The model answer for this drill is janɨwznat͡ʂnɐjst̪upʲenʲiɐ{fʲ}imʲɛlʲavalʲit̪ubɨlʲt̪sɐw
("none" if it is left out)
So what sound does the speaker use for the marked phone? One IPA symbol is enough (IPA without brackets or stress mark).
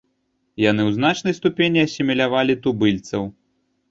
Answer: sʲ